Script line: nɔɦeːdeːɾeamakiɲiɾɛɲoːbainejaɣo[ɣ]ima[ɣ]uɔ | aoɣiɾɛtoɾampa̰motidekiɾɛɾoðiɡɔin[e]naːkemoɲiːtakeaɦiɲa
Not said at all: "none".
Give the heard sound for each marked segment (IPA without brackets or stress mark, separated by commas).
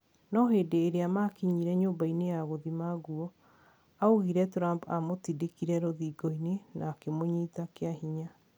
ð, ɣ, e